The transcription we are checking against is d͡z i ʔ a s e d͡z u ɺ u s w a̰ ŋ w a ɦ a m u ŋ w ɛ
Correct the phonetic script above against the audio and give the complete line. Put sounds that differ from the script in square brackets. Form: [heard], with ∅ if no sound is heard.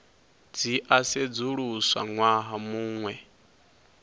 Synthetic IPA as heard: d͡z i ʔ a s e d͡z u ɺ u s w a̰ ŋ w a ɦ a m [uː] ŋ w ɛ